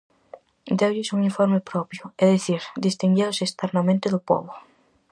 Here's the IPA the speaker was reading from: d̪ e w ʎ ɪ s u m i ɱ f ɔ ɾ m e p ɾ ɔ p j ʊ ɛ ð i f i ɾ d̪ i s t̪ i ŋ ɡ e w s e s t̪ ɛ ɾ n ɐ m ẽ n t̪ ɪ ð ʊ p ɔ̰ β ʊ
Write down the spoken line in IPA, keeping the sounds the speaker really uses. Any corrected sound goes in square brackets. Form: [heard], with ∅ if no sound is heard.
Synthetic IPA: d̪ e w ʎ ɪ s u [ŋ] i ɱ f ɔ ɾ m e p ɾ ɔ p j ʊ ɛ ð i [θ] i ɾ d̪ i s t̪ i ŋ ɡ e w s e s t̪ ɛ ɾ n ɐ m ẽ n t̪ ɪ ð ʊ p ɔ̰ β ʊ